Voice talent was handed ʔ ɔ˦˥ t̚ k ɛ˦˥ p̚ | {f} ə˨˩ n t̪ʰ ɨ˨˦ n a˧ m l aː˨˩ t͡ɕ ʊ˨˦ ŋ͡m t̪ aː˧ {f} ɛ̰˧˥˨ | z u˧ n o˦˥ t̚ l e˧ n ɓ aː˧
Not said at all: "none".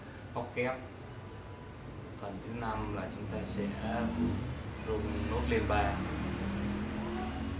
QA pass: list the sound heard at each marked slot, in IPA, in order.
f, s

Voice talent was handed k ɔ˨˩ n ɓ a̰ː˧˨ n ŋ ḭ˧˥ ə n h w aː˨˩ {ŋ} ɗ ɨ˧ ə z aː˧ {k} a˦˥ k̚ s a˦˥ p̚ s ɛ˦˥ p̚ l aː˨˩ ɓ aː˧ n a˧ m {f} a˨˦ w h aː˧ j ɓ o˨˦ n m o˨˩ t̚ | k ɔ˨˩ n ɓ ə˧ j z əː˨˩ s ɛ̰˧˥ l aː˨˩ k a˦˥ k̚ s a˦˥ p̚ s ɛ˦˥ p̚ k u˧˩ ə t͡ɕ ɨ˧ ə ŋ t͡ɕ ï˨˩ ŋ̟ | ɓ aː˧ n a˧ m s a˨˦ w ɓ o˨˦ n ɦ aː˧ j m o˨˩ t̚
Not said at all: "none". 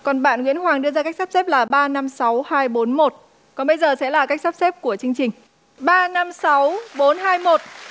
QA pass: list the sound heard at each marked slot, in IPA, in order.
ŋ, k, s

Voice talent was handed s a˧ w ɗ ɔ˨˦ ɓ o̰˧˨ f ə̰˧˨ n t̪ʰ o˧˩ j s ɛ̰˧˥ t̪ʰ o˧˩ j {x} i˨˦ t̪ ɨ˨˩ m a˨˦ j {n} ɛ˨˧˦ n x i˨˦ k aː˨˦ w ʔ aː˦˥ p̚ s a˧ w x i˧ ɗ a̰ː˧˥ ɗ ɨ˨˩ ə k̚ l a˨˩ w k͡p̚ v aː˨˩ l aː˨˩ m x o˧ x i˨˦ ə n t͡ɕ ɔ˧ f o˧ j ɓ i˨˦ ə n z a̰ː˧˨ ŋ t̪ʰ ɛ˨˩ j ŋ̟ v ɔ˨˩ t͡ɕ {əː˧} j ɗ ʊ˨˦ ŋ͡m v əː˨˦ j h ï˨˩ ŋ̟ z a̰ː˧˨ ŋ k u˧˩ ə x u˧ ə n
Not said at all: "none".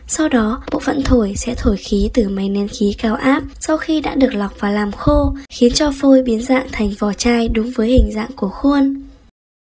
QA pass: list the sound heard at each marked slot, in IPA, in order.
x, n, aː˧

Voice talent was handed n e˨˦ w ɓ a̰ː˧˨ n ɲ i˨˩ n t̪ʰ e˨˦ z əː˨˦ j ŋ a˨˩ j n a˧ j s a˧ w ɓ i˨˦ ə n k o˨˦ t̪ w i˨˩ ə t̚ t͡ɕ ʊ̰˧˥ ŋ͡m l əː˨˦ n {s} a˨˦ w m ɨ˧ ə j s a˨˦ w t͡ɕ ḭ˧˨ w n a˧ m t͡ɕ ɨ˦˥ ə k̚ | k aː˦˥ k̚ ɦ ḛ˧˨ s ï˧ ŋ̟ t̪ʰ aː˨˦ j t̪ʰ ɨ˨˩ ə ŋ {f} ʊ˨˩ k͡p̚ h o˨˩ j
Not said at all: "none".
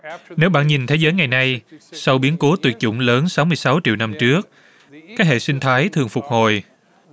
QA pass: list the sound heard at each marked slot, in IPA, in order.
s, f

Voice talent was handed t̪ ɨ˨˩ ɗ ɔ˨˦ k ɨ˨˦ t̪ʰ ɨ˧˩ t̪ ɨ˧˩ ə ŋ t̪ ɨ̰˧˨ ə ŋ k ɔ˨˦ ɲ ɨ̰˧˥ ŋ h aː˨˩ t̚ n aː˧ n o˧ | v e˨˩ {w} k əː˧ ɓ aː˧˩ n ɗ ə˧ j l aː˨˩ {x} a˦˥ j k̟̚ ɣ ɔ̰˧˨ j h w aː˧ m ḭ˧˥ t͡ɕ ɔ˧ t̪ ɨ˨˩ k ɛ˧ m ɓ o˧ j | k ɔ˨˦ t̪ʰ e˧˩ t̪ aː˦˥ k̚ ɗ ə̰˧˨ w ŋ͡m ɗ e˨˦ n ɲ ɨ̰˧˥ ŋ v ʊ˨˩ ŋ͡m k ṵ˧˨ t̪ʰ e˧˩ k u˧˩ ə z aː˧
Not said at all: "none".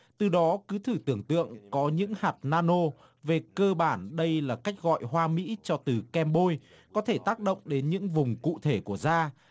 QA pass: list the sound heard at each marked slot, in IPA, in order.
none, k

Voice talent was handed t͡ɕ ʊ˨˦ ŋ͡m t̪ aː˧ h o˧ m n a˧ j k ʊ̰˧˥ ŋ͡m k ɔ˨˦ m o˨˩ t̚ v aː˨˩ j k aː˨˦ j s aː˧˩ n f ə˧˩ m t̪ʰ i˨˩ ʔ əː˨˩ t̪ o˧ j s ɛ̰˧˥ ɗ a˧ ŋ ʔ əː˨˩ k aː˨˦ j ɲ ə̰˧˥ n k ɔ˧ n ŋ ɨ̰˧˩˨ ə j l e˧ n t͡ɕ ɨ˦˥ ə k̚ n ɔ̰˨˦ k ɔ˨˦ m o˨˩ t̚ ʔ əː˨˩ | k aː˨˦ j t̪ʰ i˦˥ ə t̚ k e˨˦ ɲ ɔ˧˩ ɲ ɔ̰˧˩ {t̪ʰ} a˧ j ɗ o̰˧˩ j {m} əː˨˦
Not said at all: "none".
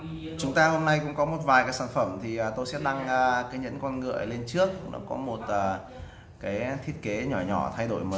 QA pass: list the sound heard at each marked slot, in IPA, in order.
t̪ʰ, m

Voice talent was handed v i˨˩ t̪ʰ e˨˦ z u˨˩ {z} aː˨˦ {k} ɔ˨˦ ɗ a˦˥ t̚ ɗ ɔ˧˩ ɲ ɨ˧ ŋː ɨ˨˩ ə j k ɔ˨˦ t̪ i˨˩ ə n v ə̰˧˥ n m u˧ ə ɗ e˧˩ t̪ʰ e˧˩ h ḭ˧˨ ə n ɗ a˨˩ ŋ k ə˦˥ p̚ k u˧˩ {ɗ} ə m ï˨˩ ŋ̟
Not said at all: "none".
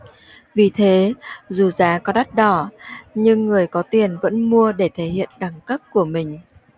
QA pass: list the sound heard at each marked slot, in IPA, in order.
z, k, none

